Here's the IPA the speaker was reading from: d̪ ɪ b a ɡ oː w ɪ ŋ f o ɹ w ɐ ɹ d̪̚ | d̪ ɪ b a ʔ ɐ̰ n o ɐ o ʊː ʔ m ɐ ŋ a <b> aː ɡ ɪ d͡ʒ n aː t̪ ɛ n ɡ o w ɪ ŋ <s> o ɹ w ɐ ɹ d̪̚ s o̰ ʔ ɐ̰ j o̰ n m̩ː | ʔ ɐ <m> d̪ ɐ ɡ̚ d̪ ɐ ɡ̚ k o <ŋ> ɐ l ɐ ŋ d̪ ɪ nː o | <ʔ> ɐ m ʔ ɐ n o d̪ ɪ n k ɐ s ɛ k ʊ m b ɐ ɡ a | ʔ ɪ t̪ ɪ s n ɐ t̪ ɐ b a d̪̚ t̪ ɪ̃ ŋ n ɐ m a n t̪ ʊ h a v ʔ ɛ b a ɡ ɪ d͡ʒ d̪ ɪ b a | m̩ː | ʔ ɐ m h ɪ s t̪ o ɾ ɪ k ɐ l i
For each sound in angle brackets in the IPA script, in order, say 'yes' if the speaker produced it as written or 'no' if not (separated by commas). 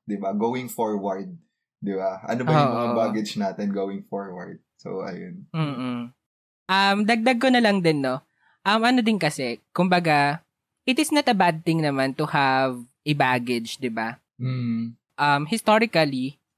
yes, no, yes, no, yes